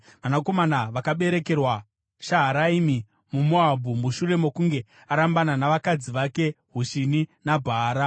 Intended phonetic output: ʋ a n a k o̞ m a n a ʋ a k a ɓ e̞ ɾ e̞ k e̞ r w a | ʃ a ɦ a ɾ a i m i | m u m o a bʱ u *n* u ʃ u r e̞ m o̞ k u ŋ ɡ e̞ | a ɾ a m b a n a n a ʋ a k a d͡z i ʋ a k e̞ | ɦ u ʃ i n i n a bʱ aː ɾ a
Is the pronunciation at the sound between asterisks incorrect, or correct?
incorrect